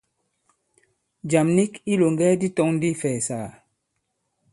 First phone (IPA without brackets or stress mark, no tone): d͡ʒ